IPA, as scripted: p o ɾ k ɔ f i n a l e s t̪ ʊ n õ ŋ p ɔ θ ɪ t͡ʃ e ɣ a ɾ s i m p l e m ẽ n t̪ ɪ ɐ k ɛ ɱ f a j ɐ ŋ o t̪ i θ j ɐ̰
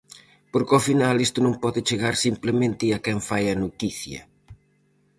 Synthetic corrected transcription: p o ɾ k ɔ f i n a l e s t̪ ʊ n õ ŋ p ɔ ð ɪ t͡ʃ e ɣ a ɾ s i m p l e m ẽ n t̪ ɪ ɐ k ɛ ɱ f a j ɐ n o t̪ i θ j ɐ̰